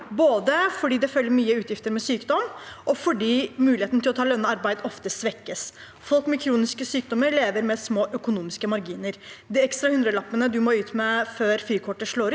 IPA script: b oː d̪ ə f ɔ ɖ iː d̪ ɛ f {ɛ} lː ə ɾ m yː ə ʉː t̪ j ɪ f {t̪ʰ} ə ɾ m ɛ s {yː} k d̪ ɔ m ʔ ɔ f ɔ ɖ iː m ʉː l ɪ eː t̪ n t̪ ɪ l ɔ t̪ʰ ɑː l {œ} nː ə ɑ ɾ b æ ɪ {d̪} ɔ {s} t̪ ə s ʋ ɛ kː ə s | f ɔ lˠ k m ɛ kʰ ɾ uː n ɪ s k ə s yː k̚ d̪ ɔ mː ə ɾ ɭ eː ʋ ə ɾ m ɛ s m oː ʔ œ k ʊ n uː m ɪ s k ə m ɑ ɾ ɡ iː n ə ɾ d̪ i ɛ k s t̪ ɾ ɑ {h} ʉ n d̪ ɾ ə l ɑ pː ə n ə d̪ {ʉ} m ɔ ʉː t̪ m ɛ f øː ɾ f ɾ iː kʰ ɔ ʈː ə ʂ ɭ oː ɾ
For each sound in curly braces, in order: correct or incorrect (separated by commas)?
incorrect, incorrect, correct, correct, correct, incorrect, correct, correct